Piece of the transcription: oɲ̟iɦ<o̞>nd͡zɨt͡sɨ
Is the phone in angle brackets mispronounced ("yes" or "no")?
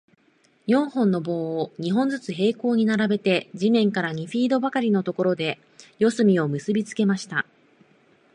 yes